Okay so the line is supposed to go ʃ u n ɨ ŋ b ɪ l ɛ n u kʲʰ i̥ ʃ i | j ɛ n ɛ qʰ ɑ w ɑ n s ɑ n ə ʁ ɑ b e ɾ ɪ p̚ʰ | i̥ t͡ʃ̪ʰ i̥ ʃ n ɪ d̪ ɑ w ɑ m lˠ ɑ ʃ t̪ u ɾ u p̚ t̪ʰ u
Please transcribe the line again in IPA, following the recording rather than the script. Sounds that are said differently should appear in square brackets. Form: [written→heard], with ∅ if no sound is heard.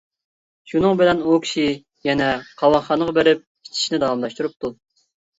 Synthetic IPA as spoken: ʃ u n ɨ ŋ b ɪ l ɛ n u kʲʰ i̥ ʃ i | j ɛ n ɛ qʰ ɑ w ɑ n [s→χ] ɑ n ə ʁ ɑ b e ɾ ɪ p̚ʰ | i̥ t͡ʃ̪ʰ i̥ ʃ n ɪ d̪ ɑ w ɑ m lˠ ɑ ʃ t̪ u ɾ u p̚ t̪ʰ u